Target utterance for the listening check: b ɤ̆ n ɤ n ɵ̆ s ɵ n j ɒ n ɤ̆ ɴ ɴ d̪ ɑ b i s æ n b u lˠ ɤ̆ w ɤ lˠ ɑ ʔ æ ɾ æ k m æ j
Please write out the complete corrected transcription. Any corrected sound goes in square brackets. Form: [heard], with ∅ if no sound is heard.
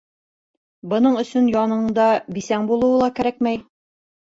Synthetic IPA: b ɤ̆ n ɤ [ɴ] ɵ̆ s ɵ n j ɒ n ɤ̆ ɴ ɴ d̪ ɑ b i s æ [ŋ] b u lˠ ɤ̆ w ɤ lˠ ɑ [k] æ ɾ æ k m æ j